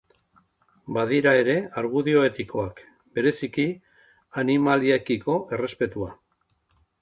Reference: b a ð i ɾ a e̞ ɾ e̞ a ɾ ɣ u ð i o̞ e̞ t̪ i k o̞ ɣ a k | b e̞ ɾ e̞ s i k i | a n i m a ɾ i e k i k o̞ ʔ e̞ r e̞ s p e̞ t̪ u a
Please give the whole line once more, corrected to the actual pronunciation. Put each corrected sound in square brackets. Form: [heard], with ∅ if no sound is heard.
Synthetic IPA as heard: b a ð i ɾ a e̞ ɾ e̞ a ɾ ɣ u ð i o̞ e̞ t̪ i k o̞ [∅] a k | b e̞ ɾ e̞ s i k i | a n i m a [l] i e k i k o̞ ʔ e̞ r e̞ s p e̞ t̪ u a